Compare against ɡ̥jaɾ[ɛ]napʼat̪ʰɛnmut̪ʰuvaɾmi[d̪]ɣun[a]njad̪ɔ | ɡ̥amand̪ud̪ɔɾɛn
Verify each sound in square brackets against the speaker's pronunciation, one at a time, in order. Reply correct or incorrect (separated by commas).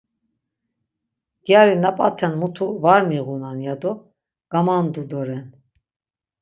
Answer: incorrect, incorrect, correct